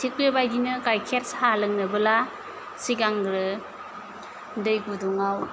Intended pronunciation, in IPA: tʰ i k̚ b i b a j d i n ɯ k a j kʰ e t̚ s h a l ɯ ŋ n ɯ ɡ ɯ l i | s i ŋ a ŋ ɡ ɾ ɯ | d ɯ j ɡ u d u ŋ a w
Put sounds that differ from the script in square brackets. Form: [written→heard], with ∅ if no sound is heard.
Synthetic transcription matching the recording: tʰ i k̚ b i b a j d i n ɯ k a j kʰ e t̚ s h a l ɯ ŋ n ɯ [ɡ→b] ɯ l [i→a] | s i [ŋ→ɡ] a ŋ ɡ ɾ ɯ | d ɯ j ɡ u d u ŋ a w